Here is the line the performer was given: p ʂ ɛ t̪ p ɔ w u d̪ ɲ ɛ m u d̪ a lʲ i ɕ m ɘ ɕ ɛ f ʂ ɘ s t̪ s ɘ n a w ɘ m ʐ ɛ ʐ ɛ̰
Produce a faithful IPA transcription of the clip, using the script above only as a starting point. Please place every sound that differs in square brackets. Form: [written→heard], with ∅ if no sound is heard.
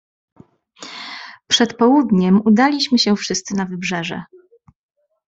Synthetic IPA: p ʂ ɛ t̪ p ɔ w u d̪ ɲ ɛ m u d̪ a lʲ i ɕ m ɘ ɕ ɛ f ʂ ɘ s t̪ s ɘ n a [w→v] ɘ [m→b] ʐ ɛ ʐ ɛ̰